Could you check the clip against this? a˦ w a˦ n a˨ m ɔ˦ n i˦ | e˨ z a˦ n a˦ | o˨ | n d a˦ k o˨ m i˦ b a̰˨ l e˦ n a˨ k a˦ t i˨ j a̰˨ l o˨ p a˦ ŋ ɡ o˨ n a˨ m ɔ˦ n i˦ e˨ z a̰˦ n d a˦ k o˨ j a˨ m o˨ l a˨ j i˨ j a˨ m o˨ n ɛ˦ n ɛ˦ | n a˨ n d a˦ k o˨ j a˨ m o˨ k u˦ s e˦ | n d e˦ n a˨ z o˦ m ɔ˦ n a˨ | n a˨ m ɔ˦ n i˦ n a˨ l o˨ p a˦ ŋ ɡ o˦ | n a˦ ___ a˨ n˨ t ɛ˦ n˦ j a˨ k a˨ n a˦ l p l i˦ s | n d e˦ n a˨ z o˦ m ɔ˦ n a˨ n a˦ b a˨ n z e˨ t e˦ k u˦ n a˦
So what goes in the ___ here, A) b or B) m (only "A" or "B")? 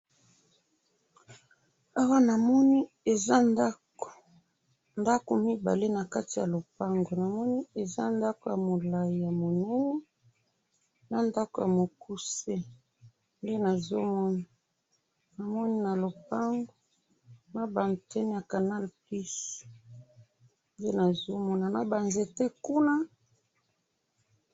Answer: A